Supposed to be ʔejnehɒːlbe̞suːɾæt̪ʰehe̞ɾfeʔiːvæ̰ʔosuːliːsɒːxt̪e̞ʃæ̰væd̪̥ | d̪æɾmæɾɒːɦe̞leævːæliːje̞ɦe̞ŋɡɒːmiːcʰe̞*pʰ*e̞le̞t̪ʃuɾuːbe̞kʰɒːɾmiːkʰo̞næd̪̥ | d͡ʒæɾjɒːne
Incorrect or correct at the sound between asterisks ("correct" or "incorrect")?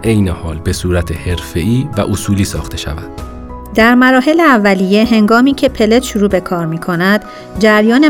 correct